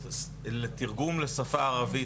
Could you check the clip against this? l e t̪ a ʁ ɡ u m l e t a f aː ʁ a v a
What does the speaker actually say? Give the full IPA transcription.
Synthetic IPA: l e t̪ i ʁ ɡ u m l e s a f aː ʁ a v i

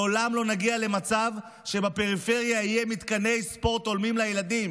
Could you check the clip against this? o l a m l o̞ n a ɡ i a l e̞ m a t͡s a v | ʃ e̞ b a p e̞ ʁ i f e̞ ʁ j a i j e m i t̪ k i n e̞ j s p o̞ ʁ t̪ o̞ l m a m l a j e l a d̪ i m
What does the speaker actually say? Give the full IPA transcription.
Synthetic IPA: o l a m l o̞ n a ɡ i a l e̞ m a t͡s a v | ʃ e̞ b a p e̞ ʁ i f e̞ ʁ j a i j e m i t̪ k a n e̞ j s p o̞ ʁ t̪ o̞ l m i m l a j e l a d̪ i m

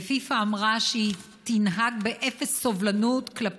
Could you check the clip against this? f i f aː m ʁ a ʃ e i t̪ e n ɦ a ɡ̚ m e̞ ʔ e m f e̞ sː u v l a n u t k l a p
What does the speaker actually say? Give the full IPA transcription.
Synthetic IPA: f i f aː m ʁ a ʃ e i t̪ i n ɦ a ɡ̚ b e̞ ʔ e f e̞ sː o v l a n u t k l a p

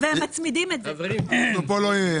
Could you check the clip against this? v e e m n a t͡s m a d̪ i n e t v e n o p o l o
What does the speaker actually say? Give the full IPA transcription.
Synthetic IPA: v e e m m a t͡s m i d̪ i m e t z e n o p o l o

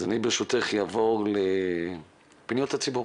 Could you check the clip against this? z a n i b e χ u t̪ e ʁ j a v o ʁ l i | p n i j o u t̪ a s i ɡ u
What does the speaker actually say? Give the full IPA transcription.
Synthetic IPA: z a n i b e ʃ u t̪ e χ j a v o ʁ l e | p n i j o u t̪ a t͡s i b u

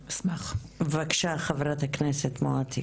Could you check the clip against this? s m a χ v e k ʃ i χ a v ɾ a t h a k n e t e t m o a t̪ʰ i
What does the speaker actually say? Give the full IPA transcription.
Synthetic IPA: s m a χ v a k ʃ a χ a v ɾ a t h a k n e s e t m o a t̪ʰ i

